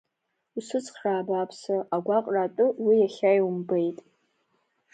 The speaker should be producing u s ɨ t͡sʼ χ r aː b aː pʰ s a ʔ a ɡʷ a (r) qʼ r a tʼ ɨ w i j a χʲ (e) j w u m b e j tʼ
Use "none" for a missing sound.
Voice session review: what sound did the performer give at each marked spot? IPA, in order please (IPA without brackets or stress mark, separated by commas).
none, a